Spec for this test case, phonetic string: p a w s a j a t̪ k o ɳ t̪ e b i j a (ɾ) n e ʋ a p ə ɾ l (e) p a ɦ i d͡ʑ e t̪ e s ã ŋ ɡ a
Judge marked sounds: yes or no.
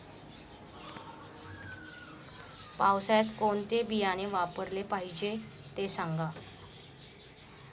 no, yes

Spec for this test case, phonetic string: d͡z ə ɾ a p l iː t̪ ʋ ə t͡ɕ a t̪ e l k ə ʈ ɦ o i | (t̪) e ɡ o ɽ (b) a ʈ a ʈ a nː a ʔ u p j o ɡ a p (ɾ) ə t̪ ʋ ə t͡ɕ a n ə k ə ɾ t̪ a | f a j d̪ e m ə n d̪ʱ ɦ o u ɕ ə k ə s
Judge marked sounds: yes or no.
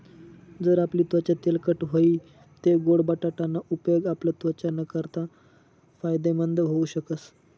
yes, yes, no

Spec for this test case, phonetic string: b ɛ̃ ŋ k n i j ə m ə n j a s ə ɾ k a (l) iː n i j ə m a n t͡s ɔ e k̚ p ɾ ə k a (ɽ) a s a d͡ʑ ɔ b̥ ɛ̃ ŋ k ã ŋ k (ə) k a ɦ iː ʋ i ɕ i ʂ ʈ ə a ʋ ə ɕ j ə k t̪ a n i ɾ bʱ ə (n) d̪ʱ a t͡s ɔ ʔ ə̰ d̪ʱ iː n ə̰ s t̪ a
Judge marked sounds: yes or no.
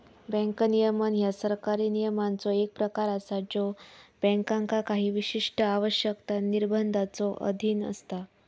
no, no, no, yes

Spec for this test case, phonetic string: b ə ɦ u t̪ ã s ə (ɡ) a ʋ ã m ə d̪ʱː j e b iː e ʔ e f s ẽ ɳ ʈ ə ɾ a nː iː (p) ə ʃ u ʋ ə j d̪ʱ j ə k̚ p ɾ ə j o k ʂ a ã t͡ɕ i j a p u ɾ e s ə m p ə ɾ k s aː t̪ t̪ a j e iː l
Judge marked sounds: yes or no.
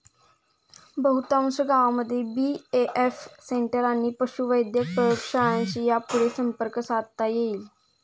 yes, yes

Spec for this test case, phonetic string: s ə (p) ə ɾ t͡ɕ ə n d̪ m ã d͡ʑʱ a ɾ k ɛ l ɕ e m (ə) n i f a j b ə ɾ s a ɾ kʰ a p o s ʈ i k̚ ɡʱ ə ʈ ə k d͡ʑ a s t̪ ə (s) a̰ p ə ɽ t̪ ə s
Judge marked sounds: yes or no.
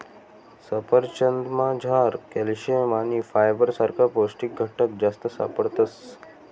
yes, no, yes

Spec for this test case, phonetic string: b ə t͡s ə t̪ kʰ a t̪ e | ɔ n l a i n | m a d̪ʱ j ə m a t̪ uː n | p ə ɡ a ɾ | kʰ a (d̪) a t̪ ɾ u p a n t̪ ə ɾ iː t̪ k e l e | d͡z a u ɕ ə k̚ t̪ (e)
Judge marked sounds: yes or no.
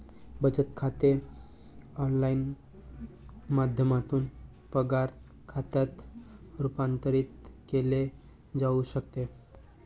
no, yes

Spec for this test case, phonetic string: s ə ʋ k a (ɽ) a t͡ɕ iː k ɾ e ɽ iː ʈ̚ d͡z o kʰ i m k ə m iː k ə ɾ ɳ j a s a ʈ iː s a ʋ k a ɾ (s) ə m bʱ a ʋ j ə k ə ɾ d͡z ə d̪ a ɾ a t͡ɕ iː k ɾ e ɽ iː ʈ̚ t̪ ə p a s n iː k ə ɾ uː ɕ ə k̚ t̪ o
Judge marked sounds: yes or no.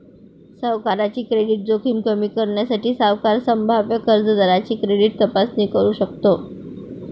no, yes

